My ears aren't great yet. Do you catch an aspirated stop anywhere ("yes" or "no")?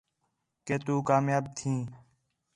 yes